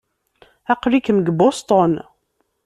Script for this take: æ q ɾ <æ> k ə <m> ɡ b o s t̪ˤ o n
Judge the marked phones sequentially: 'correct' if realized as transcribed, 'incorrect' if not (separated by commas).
incorrect, correct